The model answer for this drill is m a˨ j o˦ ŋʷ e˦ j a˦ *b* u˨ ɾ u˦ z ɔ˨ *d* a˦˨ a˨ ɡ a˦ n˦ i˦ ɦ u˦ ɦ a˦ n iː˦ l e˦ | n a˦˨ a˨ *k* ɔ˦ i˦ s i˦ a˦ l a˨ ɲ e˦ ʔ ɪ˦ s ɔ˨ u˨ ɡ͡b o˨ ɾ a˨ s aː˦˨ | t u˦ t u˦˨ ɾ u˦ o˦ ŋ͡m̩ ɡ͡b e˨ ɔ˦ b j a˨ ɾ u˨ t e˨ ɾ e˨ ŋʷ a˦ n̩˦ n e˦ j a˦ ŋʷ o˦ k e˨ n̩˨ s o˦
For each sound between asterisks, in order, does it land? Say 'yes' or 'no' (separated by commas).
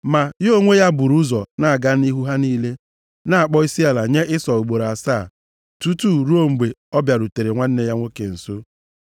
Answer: yes, no, no